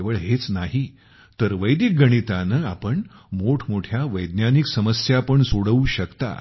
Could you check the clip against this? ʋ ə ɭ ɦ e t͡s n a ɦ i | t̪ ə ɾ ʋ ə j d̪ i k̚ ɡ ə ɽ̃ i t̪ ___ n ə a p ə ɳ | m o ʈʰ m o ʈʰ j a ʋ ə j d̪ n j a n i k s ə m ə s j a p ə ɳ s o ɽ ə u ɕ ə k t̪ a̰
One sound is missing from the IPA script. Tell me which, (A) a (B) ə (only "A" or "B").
A